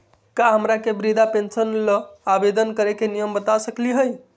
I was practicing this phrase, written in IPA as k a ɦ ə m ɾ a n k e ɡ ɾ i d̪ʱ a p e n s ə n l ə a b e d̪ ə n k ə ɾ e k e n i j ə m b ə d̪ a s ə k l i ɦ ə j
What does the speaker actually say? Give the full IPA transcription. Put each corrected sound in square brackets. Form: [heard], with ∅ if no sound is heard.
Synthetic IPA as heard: k a ɦ ə m ɾ a [∅] k e [b] ɾ i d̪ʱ a p e n s ə n l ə a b e d̪ ə n k ə ɾ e k e n i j ə m b ə [t̪] a s ə k l i ɦ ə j